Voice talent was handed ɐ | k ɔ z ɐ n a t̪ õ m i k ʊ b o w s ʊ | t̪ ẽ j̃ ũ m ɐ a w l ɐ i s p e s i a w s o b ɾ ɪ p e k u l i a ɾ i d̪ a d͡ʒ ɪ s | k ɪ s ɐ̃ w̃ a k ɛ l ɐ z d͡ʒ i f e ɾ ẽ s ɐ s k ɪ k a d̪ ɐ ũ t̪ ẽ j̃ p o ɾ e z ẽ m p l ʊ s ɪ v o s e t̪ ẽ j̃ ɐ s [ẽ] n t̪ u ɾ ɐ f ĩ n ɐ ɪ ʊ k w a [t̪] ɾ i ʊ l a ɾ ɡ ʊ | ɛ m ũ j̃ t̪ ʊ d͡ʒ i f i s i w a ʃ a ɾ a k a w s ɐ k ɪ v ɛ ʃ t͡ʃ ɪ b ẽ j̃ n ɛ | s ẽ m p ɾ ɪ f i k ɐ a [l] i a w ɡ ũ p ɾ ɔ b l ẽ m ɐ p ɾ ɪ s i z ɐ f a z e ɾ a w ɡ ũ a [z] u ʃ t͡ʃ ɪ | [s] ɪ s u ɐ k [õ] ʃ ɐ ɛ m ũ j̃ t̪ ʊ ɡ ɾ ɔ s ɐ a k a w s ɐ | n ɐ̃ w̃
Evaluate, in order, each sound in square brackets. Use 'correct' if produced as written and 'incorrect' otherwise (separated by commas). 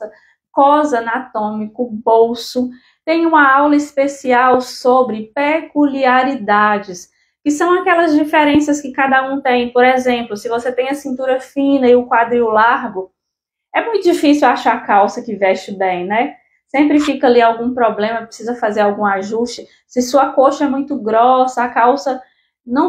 incorrect, incorrect, correct, incorrect, correct, incorrect